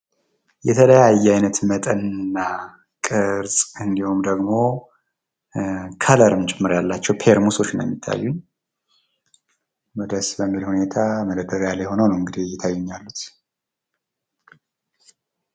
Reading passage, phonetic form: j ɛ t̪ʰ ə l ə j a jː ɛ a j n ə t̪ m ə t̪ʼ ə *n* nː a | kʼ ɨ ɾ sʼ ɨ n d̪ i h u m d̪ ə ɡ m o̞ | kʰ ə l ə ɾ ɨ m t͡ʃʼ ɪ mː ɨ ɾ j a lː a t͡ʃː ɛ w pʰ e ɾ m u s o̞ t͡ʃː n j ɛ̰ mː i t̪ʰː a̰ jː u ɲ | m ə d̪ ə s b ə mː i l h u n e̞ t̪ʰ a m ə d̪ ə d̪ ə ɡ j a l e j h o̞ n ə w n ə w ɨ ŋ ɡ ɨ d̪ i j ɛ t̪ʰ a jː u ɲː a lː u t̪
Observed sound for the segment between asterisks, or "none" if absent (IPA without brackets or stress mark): n